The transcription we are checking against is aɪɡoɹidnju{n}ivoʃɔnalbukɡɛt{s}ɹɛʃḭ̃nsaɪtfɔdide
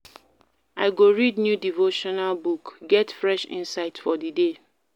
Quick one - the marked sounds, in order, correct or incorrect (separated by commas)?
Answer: incorrect, incorrect